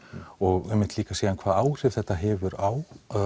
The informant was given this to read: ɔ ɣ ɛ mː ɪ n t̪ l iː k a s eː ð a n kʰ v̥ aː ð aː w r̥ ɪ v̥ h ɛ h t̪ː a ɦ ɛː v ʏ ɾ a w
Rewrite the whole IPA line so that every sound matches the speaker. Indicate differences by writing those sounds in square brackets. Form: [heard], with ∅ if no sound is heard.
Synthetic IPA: ɔ ɣ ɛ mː ɪ n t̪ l iː k a s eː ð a n kʰ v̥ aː ð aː w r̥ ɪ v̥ [θ] ɛ h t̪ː a ɦ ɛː v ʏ ɾ a w